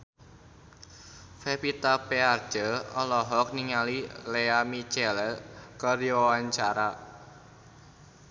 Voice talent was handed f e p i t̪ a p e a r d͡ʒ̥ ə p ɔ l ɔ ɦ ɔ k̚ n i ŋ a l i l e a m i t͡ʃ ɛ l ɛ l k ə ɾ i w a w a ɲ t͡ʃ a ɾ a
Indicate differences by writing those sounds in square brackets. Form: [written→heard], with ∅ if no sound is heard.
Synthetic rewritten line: f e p i t̪ a p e a r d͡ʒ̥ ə [p→∅] ɔ l ɔ ɦ ɔ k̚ n i ŋ a l i l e a m i t͡ʃ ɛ l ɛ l k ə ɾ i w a w a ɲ t͡ʃ a ɾ a